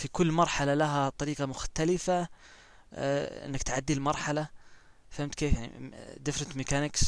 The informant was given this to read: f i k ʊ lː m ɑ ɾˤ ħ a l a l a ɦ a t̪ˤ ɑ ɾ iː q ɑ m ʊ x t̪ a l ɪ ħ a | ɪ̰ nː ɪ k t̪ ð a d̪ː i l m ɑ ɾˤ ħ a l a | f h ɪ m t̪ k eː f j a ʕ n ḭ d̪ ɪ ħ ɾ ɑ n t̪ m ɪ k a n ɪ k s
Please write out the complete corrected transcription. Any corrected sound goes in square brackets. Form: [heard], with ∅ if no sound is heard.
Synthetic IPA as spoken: f i k ʊ lː m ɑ ɾˤ ħ a l a l a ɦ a t̪ˤ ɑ ɾ iː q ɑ m ʊ x t̪ a l ɪ [f] a | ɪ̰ nː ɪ k t̪ [ʕ] a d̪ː i l m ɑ ɾˤ ħ a l a | f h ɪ m t̪ k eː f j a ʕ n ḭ d̪ ɪ [f] ɾ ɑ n t̪ m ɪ k a n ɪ k s